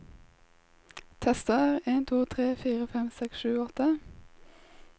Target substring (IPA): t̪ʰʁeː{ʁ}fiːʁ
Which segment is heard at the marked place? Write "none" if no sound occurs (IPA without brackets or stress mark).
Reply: none